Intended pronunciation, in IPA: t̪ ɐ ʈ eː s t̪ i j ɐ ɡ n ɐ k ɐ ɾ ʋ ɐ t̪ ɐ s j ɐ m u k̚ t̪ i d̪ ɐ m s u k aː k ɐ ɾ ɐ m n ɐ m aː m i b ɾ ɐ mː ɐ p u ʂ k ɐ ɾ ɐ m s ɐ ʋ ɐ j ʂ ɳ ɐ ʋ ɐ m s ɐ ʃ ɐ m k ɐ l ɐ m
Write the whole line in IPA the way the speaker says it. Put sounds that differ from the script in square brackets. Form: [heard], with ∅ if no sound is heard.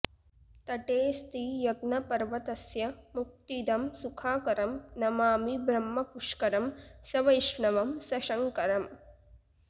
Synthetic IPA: t̪ ɐ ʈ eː s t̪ i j ɐ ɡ n ɐ [p] ɐ ɾ ʋ ɐ t̪ ɐ s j ɐ m u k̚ t̪ i d̪ ɐ m s u [kʰ] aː k ɐ ɾ ɐ m n ɐ m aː m i b ɾ ɐ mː ɐ p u ʂ k ɐ ɾ ɐ m s ɐ ʋ ɐ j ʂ ɳ ɐ ʋ ɐ m s ɐ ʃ ɐ [ŋ] k ɐ [ɾ] ɐ m